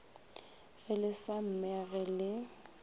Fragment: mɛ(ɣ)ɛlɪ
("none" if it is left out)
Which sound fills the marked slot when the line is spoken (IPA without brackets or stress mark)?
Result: ɣ